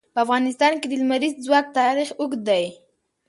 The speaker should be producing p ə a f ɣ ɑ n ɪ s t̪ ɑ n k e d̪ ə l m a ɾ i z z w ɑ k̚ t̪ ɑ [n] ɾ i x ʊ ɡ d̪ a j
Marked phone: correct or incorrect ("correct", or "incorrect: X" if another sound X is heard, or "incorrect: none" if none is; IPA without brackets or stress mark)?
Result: incorrect: none